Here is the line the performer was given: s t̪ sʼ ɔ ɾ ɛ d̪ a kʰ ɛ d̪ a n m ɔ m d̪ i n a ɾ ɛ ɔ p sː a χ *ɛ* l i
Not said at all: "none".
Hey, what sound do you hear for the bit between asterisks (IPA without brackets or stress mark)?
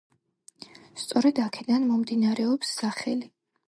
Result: ɛ